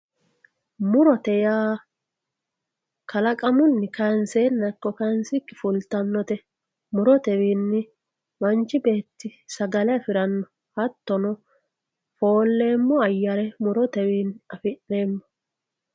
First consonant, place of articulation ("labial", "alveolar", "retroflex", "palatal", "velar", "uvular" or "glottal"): labial